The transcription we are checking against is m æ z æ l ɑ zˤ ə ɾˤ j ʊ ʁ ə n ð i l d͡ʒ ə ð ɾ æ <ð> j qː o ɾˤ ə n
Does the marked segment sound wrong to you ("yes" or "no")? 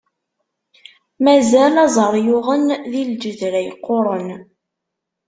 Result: yes